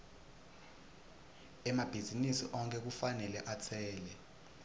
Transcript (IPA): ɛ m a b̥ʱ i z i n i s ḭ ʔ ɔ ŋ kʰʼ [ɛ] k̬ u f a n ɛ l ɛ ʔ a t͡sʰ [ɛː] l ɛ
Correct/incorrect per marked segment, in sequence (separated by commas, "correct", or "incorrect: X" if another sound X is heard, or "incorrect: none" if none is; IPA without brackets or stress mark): correct, correct